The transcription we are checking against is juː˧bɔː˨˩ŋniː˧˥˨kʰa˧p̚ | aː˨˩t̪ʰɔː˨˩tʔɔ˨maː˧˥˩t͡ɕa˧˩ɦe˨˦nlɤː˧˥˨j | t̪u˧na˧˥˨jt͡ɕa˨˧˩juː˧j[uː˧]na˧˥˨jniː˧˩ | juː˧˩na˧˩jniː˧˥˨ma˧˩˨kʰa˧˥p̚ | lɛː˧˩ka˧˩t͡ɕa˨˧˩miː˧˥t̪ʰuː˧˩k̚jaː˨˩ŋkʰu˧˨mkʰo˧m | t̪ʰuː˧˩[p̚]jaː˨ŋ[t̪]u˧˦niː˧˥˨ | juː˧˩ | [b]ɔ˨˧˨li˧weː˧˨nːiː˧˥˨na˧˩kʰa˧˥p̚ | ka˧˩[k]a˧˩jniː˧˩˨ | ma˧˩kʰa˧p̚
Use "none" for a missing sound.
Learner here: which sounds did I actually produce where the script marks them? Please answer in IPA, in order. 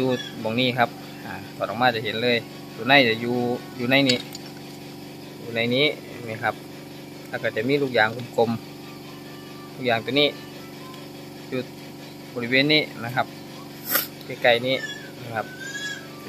uː˧, k̚, t̪, b, k

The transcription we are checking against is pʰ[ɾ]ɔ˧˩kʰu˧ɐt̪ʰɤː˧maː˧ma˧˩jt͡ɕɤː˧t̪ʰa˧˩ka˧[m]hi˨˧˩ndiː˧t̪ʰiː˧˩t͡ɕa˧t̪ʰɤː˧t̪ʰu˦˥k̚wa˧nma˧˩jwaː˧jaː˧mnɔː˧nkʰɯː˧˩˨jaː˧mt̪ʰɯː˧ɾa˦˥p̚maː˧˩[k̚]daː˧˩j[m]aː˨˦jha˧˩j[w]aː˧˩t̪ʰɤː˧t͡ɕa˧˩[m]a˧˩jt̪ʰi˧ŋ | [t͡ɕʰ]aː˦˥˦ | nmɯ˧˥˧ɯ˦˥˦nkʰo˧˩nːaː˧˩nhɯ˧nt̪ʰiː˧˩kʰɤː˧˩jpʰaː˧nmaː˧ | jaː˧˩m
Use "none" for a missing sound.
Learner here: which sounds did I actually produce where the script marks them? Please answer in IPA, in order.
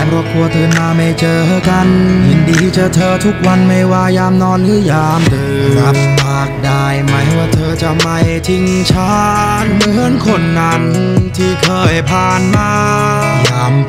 ɾ, n, k̚, m, w, m, t͡ɕʰ

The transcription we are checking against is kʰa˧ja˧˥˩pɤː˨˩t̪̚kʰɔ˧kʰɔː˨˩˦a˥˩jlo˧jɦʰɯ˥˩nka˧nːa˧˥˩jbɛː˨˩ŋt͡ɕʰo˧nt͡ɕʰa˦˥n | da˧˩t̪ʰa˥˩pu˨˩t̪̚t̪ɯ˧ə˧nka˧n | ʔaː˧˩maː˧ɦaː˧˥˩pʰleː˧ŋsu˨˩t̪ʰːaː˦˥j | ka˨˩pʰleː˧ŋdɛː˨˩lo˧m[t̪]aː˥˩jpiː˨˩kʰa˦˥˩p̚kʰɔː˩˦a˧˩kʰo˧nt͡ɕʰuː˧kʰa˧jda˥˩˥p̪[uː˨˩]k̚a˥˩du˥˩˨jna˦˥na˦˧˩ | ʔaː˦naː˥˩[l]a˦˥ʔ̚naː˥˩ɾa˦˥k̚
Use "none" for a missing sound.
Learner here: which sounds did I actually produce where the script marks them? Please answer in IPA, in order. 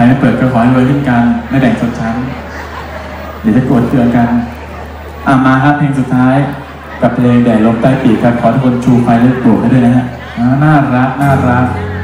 t̪, u˨˩, ɾ

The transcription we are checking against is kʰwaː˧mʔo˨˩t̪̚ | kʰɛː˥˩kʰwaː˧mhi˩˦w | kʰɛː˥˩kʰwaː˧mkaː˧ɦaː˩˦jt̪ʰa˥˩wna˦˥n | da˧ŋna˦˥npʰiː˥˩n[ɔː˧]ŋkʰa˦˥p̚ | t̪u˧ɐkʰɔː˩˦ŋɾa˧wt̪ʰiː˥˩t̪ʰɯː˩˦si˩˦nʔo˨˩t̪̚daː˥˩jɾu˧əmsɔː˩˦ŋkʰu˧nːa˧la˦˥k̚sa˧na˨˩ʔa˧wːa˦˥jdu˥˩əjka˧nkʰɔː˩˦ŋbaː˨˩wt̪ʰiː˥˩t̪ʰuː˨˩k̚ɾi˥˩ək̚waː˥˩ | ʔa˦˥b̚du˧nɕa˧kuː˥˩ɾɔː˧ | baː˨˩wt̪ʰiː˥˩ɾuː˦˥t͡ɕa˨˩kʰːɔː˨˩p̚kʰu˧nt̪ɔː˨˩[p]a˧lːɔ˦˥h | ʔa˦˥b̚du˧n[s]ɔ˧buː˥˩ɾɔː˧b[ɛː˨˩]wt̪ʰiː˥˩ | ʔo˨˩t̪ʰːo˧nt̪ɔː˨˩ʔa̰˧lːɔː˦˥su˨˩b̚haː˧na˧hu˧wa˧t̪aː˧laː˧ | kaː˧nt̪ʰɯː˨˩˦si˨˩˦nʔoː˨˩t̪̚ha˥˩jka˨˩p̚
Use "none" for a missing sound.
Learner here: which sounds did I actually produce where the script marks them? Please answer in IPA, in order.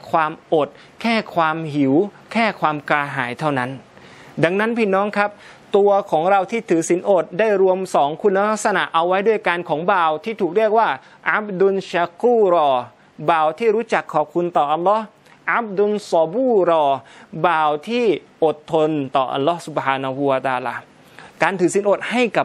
ɔː˦˥, ʔ, s, aː˨˩

